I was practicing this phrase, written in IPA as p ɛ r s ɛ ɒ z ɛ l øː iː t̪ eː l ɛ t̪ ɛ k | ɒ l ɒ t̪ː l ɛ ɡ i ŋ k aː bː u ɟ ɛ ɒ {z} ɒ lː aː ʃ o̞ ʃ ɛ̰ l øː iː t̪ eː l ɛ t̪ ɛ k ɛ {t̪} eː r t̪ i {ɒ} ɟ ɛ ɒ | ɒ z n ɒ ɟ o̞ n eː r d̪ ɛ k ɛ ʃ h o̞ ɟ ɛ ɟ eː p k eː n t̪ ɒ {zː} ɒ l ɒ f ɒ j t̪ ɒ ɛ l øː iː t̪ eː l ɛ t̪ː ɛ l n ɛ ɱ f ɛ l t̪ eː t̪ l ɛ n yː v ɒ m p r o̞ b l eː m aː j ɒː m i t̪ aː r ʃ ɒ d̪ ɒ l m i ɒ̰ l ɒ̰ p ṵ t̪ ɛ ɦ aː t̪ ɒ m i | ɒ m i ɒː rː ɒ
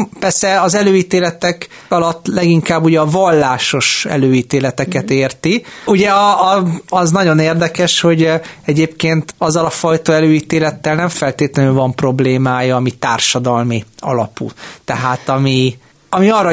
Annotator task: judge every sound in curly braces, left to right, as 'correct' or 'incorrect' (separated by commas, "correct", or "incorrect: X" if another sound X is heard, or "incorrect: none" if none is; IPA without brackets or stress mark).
incorrect: v, correct, incorrect: u, correct